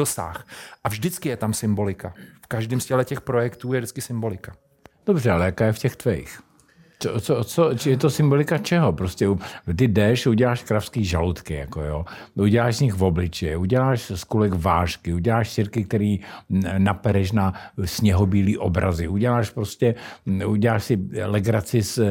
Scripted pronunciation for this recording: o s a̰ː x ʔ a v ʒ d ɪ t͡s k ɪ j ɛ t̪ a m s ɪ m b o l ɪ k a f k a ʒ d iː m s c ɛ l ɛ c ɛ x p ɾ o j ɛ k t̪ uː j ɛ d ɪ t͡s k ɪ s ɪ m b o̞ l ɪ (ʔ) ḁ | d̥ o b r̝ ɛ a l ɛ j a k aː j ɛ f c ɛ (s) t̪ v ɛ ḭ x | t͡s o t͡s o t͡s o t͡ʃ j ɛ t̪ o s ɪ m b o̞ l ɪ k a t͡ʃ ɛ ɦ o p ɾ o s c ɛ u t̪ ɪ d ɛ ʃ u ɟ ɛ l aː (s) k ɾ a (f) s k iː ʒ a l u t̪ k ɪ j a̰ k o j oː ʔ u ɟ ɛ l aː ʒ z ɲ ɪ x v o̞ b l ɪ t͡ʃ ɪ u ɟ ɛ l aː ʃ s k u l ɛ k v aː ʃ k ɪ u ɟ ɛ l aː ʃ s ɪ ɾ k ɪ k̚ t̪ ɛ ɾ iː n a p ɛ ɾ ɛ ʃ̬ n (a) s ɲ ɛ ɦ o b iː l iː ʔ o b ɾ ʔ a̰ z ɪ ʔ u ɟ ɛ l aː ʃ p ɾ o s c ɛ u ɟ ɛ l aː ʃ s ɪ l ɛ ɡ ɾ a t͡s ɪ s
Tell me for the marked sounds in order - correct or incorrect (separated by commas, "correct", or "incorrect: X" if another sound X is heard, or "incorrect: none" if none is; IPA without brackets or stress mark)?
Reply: incorrect: k, incorrect: x, incorrect: ʃ, correct, correct